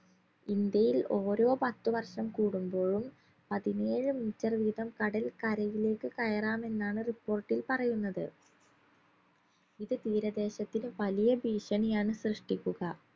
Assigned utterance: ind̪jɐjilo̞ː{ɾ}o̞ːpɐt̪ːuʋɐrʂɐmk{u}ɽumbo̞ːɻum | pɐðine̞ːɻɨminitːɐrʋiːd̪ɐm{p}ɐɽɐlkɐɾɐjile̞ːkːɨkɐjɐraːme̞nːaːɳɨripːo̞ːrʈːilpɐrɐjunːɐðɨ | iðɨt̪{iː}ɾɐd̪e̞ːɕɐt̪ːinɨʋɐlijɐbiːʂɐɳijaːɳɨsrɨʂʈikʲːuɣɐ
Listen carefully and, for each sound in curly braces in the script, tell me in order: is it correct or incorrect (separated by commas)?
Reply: correct, incorrect, incorrect, correct